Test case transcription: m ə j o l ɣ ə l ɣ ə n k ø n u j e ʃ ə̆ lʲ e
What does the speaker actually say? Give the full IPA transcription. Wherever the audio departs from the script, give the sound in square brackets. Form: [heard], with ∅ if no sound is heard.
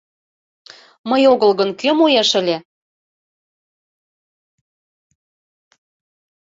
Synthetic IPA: m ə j o [∅] ɣ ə l ɣ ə n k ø [m] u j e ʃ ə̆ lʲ e